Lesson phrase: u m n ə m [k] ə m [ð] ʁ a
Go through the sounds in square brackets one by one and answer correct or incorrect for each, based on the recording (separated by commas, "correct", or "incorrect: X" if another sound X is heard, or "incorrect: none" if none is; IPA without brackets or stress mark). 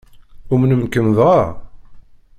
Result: correct, correct